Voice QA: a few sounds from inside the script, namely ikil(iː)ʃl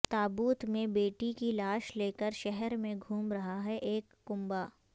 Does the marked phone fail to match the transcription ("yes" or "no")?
yes